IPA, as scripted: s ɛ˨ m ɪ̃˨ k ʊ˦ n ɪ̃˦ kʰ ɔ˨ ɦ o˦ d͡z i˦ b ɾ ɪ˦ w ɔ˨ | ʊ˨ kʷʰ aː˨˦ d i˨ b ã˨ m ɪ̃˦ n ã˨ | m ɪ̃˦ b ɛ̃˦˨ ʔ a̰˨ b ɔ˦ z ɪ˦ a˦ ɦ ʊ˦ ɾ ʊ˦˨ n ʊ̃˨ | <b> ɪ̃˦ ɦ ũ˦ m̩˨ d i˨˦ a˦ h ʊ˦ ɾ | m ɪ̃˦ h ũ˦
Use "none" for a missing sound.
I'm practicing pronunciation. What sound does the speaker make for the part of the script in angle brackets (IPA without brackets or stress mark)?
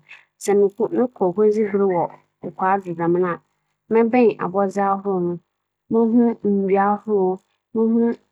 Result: m